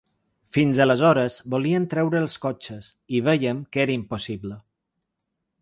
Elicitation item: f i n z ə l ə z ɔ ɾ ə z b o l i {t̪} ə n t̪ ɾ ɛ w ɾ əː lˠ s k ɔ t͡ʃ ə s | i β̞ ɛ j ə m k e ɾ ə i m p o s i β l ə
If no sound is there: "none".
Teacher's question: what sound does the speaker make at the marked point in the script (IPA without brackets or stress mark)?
none